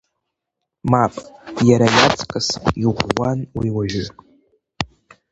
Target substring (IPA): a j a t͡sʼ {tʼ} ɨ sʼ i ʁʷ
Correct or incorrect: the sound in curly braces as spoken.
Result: incorrect: kʼ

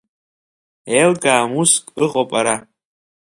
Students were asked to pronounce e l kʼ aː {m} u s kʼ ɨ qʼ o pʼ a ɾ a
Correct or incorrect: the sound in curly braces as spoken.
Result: correct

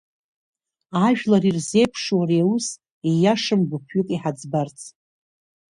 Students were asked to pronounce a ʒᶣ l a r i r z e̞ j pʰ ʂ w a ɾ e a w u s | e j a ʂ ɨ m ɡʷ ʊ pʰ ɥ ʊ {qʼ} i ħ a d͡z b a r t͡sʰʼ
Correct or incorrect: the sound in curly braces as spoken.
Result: incorrect: kʼ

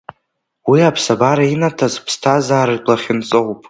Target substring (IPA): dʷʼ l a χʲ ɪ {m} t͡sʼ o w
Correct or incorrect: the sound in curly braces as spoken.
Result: incorrect: n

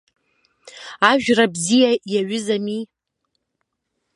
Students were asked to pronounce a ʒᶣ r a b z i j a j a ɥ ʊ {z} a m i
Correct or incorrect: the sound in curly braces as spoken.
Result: correct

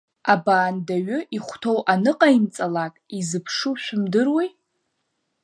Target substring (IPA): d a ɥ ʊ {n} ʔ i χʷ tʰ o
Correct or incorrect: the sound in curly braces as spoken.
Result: incorrect: none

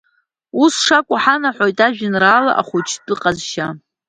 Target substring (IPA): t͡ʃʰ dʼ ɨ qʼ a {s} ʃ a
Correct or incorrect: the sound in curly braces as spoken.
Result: incorrect: z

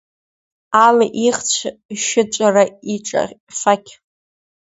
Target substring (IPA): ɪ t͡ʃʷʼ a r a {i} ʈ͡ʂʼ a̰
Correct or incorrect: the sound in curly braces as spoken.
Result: correct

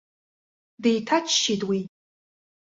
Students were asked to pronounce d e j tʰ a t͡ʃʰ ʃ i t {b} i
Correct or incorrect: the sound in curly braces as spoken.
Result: incorrect: w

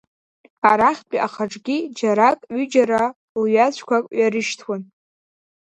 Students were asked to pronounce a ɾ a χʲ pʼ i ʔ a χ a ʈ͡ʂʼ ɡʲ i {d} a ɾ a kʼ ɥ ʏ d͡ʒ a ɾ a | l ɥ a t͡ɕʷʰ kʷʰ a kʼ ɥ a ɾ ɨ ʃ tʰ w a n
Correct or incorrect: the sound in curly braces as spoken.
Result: incorrect: d͡ʒ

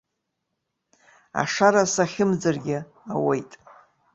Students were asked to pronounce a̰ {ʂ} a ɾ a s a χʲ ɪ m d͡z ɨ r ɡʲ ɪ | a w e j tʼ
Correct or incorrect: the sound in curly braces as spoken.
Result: correct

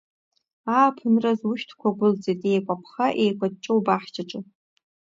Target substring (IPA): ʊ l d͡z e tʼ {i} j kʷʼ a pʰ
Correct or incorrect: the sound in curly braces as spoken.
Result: incorrect: e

